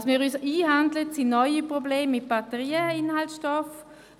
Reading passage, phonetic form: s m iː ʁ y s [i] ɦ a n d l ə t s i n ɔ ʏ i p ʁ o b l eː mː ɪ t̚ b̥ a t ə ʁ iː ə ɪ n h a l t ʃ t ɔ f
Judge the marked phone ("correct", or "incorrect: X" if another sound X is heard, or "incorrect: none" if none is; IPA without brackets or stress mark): incorrect: iː